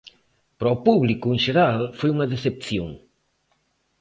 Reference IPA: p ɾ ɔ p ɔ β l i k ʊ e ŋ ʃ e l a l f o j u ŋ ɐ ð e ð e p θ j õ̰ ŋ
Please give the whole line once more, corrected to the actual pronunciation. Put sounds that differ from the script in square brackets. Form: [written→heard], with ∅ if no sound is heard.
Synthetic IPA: p ɾ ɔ p [ɔ→u] β l i k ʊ e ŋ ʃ e [l→ɾ] a l f o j u ŋ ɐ ð e [ð→θ] e p θ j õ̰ ŋ